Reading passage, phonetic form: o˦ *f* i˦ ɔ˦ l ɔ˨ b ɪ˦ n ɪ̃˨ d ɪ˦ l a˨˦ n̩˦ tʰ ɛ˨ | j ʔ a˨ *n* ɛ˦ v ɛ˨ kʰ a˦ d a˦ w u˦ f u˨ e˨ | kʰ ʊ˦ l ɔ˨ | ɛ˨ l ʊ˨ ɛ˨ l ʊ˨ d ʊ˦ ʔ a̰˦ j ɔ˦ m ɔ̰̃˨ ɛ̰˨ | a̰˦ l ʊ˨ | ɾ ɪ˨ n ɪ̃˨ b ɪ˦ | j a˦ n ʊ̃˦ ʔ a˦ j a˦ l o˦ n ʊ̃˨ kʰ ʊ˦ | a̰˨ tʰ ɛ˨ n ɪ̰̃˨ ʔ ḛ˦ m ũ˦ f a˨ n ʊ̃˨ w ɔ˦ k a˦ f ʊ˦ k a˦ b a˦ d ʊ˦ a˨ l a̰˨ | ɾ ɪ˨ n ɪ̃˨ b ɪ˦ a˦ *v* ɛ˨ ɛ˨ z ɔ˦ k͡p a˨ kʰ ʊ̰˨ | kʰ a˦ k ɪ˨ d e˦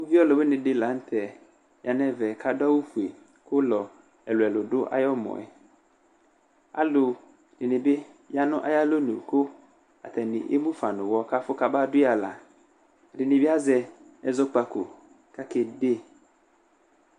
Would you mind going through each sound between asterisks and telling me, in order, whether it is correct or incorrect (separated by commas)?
incorrect, correct, incorrect